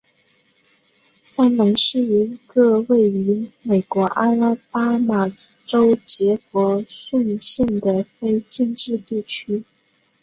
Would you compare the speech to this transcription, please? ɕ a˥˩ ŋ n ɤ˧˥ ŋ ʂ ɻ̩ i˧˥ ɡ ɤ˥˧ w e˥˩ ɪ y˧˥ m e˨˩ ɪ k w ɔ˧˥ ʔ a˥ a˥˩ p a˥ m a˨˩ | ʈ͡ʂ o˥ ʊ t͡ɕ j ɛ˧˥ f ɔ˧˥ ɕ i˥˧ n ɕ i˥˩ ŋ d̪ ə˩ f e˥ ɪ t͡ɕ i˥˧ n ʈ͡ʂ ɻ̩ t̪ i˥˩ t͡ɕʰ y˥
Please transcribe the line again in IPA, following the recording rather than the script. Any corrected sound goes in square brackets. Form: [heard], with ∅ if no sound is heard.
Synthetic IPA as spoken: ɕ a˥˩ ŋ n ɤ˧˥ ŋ ʂ ɻ̩ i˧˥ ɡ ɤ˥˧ w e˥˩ ɪ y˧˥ m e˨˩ ɪ k w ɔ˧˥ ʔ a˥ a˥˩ p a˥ m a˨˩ | ʈ͡ʂ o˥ ʊ t͡ɕ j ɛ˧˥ f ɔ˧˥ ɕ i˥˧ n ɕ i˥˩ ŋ d̪ ə˩ f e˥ ɪ t͡ɕ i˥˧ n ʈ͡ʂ ɻ̩ t̪ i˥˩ t͡ɕʰ y˥

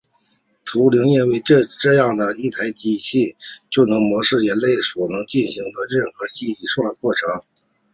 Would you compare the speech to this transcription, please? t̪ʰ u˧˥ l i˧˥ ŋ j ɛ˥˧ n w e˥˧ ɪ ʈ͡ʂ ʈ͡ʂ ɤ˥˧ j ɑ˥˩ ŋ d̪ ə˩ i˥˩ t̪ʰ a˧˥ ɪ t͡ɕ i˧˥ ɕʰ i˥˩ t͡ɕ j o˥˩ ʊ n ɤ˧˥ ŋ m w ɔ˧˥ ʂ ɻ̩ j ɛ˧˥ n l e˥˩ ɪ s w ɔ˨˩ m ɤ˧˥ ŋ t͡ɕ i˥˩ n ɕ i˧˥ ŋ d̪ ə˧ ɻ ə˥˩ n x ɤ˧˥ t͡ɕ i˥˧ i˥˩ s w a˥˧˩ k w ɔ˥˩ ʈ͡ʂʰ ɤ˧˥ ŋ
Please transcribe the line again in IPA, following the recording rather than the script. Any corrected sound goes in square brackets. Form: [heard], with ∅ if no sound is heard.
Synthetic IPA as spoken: t̪ʰ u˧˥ l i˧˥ ŋ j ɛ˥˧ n w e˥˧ ɪ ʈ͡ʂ ʈ͡ʂ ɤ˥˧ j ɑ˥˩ ŋ d̪ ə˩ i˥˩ t̪ʰ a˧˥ ɪ t͡ɕ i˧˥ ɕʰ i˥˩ t͡ɕ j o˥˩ ʊ n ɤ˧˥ ŋ m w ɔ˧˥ ʂ ɻ̩ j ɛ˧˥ n l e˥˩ ɪ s w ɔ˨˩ [n] ɤ˧˥ ŋ t͡ɕ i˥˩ n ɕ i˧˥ ŋ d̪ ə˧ ɻ ə˥˩ n x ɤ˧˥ t͡ɕ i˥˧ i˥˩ [ʂ] w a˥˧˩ k w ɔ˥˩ ʈ͡ʂʰ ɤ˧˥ ŋ

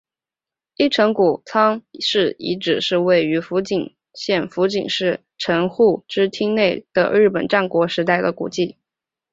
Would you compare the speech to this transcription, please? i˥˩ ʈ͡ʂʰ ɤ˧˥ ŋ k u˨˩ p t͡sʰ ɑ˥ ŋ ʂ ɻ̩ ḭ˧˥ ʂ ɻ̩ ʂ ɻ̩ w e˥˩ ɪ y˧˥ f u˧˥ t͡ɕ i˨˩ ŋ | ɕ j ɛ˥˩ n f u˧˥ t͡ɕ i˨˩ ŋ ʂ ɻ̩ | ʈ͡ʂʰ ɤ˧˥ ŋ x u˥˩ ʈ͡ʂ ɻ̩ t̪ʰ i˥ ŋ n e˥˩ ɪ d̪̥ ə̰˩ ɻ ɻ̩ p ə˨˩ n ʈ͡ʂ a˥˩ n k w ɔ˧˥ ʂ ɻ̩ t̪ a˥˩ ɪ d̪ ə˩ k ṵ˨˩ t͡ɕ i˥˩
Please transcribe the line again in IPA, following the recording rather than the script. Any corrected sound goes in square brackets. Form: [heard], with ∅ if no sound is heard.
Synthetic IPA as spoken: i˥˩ ʈ͡ʂʰ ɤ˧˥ ŋ k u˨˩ [∅] t͡sʰ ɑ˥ ŋ ʂ ɻ̩ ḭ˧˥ [ʈ͡ʂ] ɻ̩ ʂ ɻ̩ w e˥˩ ɪ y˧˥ f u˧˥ t͡ɕ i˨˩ ŋ | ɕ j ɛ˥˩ n f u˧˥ t͡ɕ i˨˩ ŋ ʂ ɻ̩ | ʈ͡ʂʰ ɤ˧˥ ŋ x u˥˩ ʈ͡ʂ ɻ̩ t̪ʰ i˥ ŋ n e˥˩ ɪ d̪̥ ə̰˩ ɻ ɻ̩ p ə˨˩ n ʈ͡ʂ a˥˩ n k w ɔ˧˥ ʂ ɻ̩ t̪ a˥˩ ɪ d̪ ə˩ k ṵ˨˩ t͡ɕ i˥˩

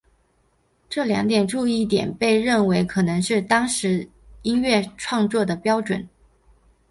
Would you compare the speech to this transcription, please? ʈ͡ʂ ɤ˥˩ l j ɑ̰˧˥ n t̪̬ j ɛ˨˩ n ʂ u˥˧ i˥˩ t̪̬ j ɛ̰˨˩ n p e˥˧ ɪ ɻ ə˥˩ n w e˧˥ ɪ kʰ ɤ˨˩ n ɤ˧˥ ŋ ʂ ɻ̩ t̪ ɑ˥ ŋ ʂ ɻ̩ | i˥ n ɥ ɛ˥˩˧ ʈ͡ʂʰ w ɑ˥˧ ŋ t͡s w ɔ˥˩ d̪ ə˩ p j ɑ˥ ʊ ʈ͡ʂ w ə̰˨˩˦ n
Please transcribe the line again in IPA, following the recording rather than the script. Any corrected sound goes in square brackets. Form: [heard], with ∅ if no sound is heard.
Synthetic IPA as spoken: ʈ͡ʂ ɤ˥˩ l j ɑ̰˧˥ [ŋ] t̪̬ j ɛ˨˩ n [ʈ͡ʂ] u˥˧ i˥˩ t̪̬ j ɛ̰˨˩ n p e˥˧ ɪ ɻ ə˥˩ n w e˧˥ ɪ kʰ ɤ˨˩ n ɤ˧˥ ŋ ʂ ɻ̩ t̪ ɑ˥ ŋ ʂ ɻ̩ | i˥ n ɥ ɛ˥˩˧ ʈ͡ʂʰ w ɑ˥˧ ŋ t͡s w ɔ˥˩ d̪ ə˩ p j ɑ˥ ʊ ʈ͡ʂ w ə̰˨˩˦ n

